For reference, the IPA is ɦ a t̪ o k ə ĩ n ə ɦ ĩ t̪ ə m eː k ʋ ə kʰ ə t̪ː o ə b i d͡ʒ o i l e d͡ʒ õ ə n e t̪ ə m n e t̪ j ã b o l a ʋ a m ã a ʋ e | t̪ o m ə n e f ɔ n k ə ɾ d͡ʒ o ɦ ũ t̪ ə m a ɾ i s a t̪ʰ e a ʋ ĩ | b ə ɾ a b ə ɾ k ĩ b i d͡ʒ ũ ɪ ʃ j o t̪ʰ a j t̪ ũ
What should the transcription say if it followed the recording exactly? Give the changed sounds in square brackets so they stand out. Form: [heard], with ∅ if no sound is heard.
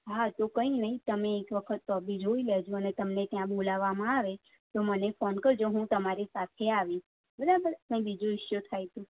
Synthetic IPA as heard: ɦ a t̪ o k ə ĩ n ə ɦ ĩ t̪ ə m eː k ʋ ə kʰ ə t̪ː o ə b i d͡ʒ o i l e d͡ʒ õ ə n e t̪ ə m n e t̪ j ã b o l a ʋ a m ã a ʋ e | t̪ o m ə n e f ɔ n k ə ɾ d͡ʒ o ɦ ũ t̪ ə m a ɾ i s a t̪ʰ e a ʋ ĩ | b ə ɾ a b ə ɾ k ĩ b i d͡ʒ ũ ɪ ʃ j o t̪ʰ a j t̪ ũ